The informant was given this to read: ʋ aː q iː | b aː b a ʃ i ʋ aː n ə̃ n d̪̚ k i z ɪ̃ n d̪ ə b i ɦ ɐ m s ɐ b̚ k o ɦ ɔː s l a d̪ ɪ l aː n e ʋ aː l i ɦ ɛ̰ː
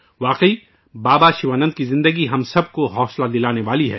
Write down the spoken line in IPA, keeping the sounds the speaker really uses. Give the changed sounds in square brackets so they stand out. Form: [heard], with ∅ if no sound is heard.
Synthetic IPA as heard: ʋ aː q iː | b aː b a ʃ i ʋ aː n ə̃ n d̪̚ k i z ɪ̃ n d̪ ə [ɡ] i ɦ ɐ m s ɐ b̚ k o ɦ ɔː s l a d̪ ɪ l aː n e ʋ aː l i ɦ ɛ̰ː

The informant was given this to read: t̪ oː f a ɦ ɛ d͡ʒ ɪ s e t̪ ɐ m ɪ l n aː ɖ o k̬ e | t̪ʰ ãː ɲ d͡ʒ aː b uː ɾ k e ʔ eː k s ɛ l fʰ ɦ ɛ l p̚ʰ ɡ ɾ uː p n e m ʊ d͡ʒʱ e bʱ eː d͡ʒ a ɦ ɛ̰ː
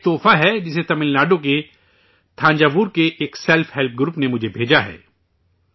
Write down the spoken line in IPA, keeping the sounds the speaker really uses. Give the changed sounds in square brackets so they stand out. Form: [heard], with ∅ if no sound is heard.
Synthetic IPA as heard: t̪ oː f a ɦ ɛ d͡ʒ ɪ s e t̪ ɐ m ɪ l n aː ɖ o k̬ e | t̪ʰ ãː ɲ d͡ʒ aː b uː ɾ k e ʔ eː k s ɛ l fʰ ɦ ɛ l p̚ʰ ɡ ɾ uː p n e m ʊ d͡ʒʱ e bʱ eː d͡ʒ a ɦ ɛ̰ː

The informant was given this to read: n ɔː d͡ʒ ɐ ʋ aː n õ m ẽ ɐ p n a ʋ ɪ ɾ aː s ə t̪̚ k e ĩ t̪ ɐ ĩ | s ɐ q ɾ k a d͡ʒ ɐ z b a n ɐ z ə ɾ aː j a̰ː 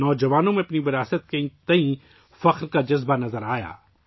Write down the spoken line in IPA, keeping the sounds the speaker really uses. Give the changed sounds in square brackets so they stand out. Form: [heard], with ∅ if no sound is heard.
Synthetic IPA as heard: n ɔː d͡ʒ ɐ ʋ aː n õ m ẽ ɐ p n [i] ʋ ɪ ɾ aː s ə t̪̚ k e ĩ t̪ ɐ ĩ | [f] ɐ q ɾ k a d͡ʒ ɐ z b a n ɐ z ə ɾ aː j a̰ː

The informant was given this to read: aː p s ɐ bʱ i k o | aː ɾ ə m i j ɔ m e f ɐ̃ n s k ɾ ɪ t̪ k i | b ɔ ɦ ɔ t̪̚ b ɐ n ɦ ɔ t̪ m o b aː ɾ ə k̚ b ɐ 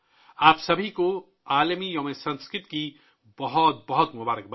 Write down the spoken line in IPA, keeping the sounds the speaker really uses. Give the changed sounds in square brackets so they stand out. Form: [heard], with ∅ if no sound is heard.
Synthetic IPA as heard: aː p s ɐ bʱ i k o | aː [l] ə m i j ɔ m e [s] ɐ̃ n s k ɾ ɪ t̪ k i | b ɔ ɦ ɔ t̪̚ b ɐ [∅] ɦ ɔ t̪ m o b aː ɾ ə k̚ b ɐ

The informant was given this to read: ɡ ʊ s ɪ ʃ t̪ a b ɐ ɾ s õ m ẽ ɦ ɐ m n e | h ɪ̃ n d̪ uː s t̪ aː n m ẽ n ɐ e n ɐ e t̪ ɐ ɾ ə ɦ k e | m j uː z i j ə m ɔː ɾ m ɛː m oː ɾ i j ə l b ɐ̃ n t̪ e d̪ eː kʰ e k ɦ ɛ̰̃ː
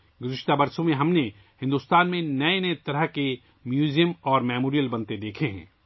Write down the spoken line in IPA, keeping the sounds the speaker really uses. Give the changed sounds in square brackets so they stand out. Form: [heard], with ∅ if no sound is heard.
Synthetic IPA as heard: ɡ ʊ [z] ɪ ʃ t̪ a b ɐ ɾ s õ m ẽ ɦ ɐ m n e | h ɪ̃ n d̪ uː s t̪ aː n m ẽ n ɐ e n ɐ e t̪ ɐ ɾ ə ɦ k e | m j uː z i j ə m ɔː ɾ m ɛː m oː ɾ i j ə l b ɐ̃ n t̪ e d̪ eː kʰ e [∅] ɦ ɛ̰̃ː

